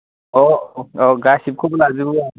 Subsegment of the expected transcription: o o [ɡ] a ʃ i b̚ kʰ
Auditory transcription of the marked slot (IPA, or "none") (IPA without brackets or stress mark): ɡ